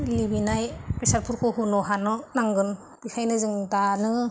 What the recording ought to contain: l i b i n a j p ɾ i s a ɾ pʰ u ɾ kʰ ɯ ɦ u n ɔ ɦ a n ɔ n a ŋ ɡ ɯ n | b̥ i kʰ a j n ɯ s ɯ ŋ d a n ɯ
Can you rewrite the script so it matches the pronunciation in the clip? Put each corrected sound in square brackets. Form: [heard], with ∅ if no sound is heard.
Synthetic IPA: l i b i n a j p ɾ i s a ɾ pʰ u ɾ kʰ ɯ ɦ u n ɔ ɦ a n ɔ n a ŋ ɡ ɯ n | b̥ i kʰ a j n ɯ [z] ɯ ŋ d a n ɯ